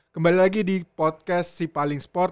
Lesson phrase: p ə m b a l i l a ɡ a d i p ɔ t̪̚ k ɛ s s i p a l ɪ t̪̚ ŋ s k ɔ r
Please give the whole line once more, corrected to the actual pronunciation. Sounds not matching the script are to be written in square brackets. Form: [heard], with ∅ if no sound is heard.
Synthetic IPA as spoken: [k] ə m b a l i l a ɡ [i] d i p ɔ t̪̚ k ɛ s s i p a l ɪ [∅] ŋ s [p] ɔ r